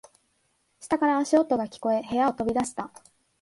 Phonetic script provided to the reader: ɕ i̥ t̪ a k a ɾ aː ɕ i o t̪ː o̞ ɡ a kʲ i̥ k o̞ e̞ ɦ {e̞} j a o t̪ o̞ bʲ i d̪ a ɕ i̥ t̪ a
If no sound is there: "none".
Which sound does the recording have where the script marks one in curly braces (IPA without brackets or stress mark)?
e̞